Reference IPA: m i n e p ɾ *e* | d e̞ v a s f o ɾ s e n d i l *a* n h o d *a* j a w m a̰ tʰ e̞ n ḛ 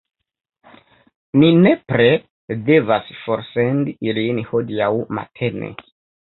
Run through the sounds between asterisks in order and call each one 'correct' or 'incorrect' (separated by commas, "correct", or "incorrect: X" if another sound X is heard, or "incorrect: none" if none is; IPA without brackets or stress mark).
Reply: correct, incorrect: i, incorrect: i